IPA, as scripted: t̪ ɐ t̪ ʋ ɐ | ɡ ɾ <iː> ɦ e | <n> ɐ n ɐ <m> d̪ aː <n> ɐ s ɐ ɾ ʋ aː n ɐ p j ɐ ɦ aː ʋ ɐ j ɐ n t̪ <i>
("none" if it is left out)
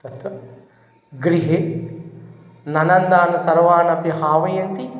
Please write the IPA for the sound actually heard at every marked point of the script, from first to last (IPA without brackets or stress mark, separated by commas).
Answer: i, n, n, n, i